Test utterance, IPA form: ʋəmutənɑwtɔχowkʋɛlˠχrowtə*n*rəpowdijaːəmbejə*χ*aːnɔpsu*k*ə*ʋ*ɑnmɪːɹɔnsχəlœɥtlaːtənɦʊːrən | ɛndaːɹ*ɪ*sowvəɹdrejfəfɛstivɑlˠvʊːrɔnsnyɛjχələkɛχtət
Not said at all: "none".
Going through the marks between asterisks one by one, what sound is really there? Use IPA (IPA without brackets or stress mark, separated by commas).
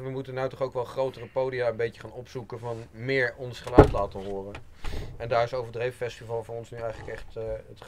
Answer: none, χ, k, v, ɪ